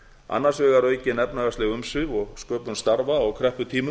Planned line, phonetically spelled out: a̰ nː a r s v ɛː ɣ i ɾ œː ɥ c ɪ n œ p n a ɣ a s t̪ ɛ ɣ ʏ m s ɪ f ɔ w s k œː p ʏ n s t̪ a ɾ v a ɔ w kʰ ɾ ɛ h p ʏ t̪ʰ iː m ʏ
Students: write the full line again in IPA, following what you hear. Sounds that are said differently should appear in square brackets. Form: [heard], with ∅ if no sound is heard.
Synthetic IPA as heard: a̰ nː a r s v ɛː ɣ [a] ɾ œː ɥ c ɪ n [ɛ] p n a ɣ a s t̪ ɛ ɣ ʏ m s ɪ [v] ɔ [ɣ] s k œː p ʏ n s t̪ a ɾ v a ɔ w kʰ ɾ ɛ h p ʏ t̪ʰ iː m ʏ